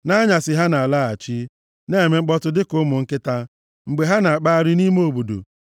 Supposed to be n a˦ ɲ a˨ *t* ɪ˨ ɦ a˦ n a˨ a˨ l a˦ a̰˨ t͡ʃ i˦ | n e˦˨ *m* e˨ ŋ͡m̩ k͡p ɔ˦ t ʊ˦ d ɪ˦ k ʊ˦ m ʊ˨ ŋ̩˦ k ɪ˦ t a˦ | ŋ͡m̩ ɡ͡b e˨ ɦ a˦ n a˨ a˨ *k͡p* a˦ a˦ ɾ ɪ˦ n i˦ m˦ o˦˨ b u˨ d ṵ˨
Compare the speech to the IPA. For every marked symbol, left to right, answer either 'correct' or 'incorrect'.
incorrect, correct, correct

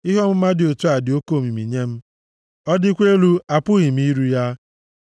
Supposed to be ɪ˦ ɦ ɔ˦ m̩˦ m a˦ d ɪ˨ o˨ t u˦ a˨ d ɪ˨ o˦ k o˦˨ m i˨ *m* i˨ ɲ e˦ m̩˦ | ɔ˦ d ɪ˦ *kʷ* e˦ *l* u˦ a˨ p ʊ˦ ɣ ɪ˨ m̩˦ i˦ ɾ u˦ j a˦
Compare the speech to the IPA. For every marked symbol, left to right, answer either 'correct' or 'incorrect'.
correct, correct, correct

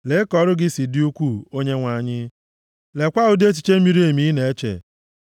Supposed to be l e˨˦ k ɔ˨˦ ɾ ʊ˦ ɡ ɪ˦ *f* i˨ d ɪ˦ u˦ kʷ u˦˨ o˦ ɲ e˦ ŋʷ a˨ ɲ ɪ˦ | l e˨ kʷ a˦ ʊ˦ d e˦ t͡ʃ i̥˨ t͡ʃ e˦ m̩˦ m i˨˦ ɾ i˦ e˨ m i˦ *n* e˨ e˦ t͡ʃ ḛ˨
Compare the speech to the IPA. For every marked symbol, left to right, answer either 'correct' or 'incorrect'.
incorrect, correct

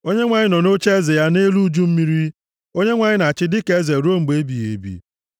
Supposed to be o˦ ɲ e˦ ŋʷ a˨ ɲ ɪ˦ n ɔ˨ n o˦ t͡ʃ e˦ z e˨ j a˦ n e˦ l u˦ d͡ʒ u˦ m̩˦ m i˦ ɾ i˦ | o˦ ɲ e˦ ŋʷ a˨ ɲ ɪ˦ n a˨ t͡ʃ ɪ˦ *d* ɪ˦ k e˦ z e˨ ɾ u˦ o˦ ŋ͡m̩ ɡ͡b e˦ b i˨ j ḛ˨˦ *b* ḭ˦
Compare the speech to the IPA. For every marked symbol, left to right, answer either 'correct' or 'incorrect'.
correct, correct

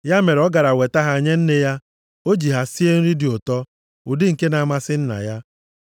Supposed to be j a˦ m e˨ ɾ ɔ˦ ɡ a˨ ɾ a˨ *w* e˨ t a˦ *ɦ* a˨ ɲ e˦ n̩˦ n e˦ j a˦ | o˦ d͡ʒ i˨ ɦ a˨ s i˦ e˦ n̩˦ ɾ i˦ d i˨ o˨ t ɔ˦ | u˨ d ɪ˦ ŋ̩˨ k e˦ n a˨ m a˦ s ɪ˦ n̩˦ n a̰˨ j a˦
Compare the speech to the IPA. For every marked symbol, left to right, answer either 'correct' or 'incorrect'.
correct, correct

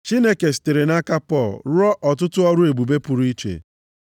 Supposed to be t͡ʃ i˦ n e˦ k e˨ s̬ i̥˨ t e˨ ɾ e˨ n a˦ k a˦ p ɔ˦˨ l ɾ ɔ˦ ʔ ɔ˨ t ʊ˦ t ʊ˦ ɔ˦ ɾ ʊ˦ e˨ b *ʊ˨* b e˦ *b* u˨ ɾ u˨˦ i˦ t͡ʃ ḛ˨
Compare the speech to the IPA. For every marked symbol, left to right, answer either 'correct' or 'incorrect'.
incorrect, incorrect

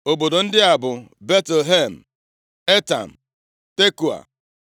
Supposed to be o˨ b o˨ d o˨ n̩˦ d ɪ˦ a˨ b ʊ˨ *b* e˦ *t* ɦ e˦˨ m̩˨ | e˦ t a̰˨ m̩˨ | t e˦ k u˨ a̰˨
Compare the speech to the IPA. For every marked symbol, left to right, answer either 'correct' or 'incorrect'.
correct, correct

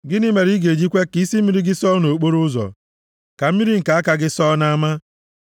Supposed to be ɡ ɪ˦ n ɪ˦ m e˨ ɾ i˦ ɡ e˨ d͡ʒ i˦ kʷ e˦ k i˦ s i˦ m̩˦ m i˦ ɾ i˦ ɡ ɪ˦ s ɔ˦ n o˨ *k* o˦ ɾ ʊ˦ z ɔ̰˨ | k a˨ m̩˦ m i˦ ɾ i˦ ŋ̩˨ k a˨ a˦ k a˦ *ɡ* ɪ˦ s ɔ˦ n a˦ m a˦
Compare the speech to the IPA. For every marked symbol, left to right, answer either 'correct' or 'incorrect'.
incorrect, correct

